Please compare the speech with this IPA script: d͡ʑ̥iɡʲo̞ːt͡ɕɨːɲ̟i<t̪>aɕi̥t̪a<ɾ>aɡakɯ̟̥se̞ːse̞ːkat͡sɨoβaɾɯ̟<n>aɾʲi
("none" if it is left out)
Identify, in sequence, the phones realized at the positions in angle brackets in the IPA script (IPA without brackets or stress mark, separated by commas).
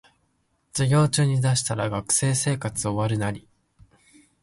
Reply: d̪, ɾ, n